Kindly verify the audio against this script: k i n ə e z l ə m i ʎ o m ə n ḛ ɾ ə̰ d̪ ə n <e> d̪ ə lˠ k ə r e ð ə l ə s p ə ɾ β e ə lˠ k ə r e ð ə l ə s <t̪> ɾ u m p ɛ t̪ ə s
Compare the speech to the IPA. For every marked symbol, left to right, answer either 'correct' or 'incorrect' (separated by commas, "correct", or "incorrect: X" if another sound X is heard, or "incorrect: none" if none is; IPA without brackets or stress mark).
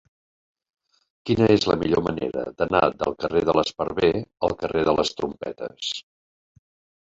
incorrect: a, correct